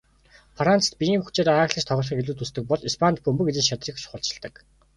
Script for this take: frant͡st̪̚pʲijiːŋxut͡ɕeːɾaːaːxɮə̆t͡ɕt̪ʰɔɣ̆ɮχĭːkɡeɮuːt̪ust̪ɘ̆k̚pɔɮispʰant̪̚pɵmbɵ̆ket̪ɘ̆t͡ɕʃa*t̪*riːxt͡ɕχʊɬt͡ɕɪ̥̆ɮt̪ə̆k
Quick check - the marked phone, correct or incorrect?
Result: correct